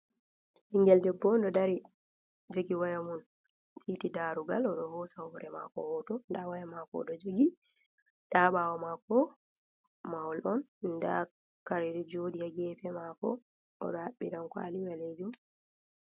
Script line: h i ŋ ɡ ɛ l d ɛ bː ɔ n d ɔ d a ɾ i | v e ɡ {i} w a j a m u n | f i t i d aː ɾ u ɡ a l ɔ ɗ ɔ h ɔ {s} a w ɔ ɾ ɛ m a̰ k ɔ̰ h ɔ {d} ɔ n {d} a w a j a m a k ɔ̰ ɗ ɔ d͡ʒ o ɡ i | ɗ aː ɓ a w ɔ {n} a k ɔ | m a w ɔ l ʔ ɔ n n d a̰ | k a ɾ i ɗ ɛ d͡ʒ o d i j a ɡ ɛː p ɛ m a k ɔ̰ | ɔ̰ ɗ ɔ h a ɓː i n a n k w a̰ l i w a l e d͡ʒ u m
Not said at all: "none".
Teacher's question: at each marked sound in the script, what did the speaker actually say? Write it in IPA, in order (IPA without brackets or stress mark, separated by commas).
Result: i, s, t, d, m